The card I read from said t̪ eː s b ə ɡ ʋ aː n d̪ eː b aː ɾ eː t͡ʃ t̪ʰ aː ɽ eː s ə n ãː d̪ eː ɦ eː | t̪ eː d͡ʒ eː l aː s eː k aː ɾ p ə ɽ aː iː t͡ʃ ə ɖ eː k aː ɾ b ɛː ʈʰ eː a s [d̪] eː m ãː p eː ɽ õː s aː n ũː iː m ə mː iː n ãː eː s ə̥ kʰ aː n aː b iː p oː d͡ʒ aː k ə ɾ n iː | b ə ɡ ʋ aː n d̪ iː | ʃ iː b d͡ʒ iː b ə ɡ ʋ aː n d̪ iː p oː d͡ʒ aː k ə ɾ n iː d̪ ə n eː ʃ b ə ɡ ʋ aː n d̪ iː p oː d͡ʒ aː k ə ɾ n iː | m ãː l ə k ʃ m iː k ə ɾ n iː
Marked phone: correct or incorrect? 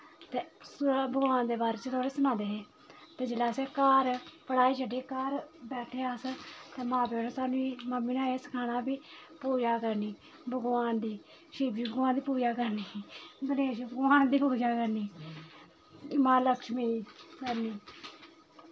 incorrect: t̪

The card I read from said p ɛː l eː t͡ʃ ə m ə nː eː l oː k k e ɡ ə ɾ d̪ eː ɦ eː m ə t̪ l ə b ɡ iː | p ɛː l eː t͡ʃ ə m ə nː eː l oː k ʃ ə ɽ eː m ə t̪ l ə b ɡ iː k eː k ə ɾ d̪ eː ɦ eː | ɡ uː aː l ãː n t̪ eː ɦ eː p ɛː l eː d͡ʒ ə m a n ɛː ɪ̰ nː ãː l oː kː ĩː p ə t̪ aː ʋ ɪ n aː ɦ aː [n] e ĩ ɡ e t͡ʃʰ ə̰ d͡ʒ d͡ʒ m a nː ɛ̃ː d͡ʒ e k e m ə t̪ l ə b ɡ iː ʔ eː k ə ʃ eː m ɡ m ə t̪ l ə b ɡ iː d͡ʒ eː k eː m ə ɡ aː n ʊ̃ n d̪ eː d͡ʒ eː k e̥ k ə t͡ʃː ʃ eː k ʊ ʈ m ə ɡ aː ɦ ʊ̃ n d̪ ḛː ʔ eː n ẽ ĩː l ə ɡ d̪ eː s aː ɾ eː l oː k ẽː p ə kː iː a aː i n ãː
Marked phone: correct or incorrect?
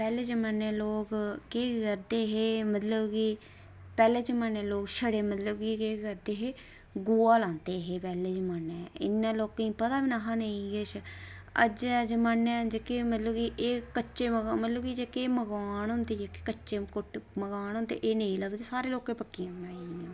correct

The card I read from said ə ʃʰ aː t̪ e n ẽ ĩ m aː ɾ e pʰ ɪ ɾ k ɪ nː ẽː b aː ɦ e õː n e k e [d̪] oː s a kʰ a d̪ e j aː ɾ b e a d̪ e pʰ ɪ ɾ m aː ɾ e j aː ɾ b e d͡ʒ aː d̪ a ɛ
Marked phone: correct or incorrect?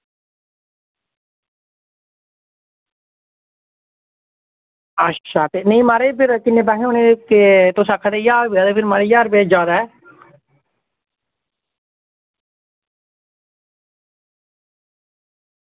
incorrect: t̪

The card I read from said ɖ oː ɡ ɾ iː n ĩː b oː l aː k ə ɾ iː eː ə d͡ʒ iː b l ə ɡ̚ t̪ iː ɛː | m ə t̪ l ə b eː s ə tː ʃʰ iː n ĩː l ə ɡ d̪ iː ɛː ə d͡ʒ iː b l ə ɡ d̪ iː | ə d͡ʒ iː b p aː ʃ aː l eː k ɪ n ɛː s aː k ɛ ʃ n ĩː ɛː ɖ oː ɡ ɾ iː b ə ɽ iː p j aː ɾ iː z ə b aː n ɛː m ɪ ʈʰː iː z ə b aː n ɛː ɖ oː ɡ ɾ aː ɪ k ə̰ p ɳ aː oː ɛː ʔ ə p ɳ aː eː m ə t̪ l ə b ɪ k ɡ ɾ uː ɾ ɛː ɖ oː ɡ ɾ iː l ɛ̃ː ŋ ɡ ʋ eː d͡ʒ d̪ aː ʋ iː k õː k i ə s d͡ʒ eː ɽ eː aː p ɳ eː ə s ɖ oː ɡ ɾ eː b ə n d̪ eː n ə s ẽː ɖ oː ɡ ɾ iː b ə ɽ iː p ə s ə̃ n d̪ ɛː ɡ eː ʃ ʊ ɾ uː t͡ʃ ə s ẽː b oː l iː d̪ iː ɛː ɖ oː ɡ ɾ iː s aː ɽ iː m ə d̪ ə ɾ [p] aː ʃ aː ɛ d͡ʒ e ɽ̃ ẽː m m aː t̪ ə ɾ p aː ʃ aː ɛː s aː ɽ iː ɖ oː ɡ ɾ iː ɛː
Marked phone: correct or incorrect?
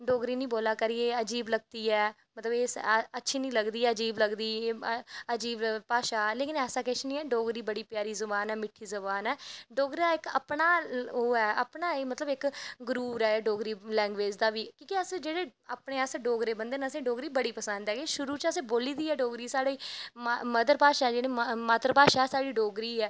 correct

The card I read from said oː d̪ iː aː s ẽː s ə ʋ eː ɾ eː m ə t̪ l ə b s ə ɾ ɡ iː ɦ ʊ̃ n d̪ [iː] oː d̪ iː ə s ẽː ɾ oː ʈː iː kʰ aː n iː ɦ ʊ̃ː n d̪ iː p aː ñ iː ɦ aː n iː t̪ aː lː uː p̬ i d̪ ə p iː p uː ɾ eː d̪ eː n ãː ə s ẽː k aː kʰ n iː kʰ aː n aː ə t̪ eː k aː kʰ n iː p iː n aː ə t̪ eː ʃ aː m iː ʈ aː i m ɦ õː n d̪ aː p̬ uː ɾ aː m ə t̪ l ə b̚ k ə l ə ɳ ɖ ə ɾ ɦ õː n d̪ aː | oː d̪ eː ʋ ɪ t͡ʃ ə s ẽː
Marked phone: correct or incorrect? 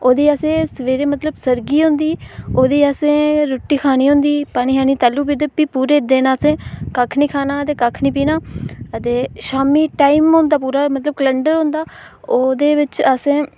correct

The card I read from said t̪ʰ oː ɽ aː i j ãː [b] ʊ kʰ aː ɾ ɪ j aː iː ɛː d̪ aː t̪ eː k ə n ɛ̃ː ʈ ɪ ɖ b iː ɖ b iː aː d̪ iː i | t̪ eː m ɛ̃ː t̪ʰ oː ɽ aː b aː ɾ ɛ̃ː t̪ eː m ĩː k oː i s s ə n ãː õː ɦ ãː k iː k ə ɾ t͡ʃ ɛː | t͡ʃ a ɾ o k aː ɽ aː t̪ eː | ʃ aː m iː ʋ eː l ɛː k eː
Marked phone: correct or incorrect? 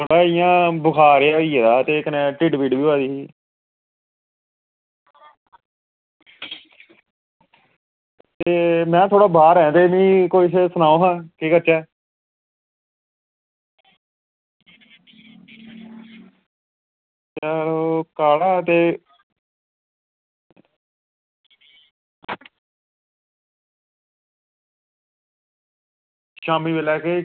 correct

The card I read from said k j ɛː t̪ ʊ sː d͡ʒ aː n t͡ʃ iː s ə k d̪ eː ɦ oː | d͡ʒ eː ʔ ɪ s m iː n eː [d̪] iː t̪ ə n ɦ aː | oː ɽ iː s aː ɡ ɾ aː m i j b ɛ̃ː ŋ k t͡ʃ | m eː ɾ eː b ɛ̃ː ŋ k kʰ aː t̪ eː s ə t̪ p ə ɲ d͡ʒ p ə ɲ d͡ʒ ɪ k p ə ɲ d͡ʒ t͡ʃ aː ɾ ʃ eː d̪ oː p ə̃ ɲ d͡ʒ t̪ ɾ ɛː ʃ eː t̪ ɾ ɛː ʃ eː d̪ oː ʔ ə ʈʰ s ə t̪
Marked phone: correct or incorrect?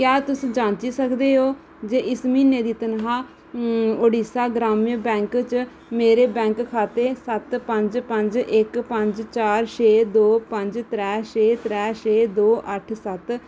correct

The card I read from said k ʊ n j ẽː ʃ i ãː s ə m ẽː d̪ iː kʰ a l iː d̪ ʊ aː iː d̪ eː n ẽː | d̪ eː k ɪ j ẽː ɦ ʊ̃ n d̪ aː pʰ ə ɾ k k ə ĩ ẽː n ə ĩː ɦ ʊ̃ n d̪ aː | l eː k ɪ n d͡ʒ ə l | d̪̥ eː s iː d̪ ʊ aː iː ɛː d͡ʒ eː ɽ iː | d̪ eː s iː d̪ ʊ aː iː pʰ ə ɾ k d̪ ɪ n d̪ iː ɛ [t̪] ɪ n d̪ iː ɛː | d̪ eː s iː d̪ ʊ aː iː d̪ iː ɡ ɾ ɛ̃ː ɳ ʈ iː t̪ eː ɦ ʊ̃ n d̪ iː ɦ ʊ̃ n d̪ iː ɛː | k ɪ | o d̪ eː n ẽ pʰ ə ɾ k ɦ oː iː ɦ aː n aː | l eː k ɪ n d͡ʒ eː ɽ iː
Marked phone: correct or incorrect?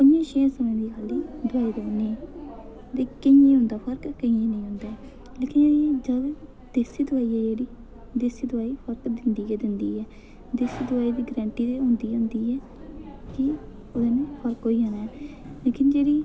incorrect: d̪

